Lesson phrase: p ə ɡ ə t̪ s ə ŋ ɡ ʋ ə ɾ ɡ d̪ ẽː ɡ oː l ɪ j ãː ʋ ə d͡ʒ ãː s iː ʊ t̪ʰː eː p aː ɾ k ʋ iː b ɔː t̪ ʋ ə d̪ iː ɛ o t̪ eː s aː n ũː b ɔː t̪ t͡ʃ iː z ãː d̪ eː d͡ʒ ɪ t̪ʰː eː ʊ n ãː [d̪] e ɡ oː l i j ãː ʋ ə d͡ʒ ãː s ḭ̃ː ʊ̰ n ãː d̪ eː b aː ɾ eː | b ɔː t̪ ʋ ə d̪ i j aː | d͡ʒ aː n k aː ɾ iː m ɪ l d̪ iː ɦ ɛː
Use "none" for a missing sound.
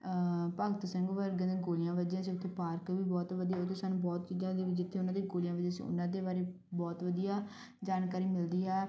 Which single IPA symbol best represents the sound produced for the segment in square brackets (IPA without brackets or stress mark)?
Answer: d̪